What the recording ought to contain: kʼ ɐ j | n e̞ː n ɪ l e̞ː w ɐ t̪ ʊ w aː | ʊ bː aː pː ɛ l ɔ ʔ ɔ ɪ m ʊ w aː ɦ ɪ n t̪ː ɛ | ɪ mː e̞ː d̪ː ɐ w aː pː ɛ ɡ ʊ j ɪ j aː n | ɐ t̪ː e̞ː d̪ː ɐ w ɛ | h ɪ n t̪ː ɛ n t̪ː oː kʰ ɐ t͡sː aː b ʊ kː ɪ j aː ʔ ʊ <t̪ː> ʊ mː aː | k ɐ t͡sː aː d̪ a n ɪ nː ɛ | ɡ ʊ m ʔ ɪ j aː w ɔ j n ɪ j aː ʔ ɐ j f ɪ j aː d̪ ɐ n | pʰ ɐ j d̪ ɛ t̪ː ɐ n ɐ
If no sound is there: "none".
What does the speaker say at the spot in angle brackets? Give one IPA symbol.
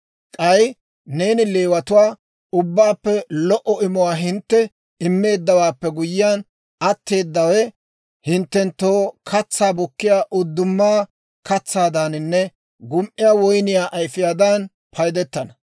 d̪ː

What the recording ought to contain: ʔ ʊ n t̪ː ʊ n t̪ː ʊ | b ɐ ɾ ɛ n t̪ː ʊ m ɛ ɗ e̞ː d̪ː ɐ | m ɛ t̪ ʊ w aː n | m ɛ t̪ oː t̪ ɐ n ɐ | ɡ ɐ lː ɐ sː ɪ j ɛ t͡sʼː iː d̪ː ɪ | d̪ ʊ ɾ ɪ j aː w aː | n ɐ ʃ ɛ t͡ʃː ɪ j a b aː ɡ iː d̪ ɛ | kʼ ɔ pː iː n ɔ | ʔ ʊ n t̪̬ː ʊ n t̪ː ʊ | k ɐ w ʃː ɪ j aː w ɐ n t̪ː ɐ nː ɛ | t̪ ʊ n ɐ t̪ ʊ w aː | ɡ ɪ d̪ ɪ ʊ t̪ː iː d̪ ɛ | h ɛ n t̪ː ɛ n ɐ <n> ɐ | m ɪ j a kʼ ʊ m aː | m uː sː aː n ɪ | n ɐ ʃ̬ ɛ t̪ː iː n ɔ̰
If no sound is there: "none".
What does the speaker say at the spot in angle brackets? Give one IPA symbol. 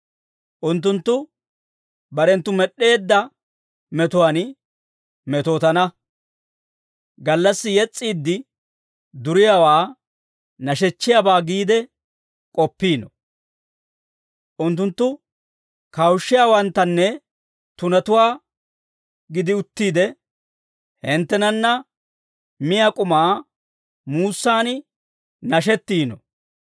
nː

